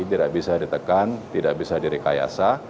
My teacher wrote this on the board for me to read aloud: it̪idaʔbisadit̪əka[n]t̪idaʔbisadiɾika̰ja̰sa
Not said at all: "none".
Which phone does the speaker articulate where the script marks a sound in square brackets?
n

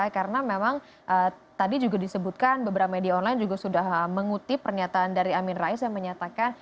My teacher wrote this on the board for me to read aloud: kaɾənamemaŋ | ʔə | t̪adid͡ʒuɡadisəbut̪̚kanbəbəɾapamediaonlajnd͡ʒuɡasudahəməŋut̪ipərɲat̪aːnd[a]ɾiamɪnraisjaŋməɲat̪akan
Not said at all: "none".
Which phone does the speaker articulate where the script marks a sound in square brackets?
a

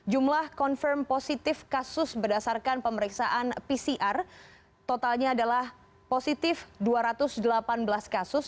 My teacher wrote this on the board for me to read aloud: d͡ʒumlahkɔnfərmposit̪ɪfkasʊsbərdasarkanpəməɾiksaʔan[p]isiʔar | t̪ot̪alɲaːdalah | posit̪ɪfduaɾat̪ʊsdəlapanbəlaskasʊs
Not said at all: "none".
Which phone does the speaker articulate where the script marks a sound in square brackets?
p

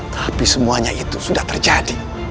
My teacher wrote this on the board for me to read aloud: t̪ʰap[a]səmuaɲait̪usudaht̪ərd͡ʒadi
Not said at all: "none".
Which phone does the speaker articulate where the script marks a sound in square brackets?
i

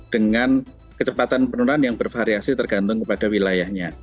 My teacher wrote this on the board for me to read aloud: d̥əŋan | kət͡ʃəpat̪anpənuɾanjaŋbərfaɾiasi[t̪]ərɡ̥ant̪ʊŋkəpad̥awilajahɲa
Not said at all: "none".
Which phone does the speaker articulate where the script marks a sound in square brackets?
t̪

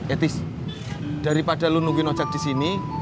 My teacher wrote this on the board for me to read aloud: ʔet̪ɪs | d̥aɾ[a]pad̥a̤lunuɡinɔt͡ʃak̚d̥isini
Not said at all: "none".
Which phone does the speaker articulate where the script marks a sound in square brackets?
i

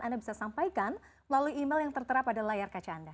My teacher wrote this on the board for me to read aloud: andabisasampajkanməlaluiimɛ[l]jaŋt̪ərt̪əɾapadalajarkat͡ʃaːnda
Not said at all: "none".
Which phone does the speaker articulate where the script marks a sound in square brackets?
l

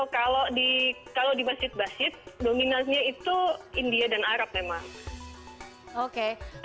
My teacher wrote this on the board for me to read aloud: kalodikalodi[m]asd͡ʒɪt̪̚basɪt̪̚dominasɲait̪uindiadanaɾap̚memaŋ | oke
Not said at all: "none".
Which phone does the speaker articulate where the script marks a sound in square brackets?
m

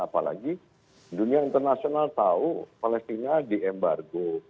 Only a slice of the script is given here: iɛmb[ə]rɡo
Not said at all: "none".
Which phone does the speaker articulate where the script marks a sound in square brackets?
a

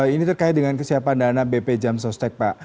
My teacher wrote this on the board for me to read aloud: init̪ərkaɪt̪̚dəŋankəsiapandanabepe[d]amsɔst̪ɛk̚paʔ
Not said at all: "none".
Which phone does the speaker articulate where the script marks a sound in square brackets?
d͡ʒ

